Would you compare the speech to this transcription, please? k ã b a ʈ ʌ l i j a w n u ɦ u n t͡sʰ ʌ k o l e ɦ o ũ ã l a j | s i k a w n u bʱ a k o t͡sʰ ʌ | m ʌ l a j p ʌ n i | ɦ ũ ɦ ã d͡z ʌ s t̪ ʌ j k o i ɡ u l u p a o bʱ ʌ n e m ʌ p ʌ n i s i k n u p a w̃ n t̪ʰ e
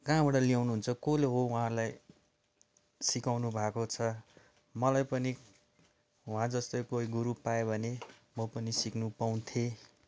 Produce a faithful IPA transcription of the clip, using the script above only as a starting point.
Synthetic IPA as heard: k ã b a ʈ ʌ l i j a w n u ɦ u n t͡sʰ ʌ k o l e ɦ o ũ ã l a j | s i k a w n u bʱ a k o t͡sʰ ʌ | m ʌ l a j p ʌ n i | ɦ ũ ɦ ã d͡z ʌ s t̪ ʌ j k o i ɡ u ɾ u p a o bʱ ʌ n e m ʌ p ʌ n i s i k n u p a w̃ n t̪ʰ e

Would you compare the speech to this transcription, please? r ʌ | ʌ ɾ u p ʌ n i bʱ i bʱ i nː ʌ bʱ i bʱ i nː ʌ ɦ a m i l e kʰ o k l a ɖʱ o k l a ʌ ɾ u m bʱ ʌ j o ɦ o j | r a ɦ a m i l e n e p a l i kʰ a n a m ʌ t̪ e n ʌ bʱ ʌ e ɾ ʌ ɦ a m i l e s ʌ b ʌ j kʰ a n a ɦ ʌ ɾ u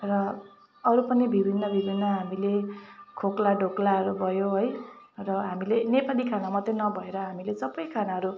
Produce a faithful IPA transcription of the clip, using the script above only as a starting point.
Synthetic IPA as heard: r ʌ | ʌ ɾ u p ʌ n i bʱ i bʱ i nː ʌ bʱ i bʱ i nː ʌ ɦ a m i l e kʰ o k l a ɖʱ o k l a ʌ ɾ u bʱ ʌ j o ɦ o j | r ʌ ɦ a m i l e n e p a l i kʰ a n a m ʌ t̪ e n ʌ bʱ ʌ e ɾ ʌ ɦ a m i l e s ʌ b ʌ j kʰ a n a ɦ ʌ ɾ u

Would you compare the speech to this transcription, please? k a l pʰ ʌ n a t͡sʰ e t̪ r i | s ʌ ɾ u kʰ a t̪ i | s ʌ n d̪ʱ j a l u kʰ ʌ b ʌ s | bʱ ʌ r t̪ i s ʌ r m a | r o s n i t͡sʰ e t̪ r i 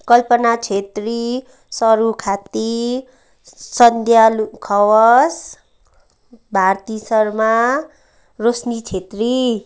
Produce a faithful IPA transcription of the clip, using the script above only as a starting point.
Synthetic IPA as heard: k ʌ l p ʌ n a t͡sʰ e t̪ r i | s ʌ ɾ u kʰ a t̪ i | s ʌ n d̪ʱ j a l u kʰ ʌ w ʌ s | bʱ a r t̪ i s ʌ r m a | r o s n i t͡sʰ e t̪ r i

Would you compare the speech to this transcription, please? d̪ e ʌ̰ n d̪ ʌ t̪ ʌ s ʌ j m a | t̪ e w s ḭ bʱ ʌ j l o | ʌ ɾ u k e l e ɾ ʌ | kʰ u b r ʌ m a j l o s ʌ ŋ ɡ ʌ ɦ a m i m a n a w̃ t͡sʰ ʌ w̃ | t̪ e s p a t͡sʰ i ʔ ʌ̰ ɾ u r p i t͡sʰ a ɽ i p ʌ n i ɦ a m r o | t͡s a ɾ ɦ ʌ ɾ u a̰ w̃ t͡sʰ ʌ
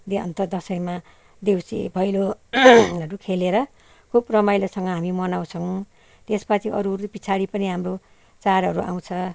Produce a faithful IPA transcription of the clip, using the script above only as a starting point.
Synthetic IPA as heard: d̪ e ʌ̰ n t̪ ʌ d̪ ʌ s ʌ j m a | d̪ e w s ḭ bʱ ʌ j l o | ʌ ɾ u kʰ e l e ɾ ʌ | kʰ u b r ʌ m a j l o s ʌ ŋ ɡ ʌ ɦ a m i m ʌ n a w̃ t͡sʰ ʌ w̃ | t̪ e s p a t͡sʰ i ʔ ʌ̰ ɾ u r p i t͡sʰ a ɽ i p ʌ n i ɦ a m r o | t͡s a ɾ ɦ ʌ ɾ u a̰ w̃ t͡sʰ ʌ

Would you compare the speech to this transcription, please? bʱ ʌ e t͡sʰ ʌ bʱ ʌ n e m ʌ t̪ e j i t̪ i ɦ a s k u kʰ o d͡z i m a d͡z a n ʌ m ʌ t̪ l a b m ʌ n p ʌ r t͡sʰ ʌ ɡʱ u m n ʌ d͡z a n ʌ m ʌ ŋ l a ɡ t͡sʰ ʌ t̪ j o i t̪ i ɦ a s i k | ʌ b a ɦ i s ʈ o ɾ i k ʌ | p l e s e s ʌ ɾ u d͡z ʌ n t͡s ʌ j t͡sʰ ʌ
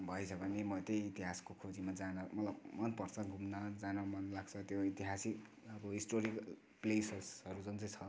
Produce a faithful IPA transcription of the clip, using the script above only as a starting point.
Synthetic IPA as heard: bʱ ʌ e t͡sʰ ʌ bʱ ʌ n e m ʌ t̪ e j i t̪ i ɦ a s k o kʰ o d͡z i m a d͡z a n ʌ m ʌ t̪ l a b m ʌ n p ʌ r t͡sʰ ʌ ɡʱ u m n ʌ d͡z a n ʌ m ʌ n l a ɡ t͡sʰ ʌ t̪ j o i t̪ i ɦ a s i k | ʌ b ʌ ɦ i s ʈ o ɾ i k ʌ | p l e s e s ʌ ɾ u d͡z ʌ n t͡s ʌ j t͡sʰ ʌ

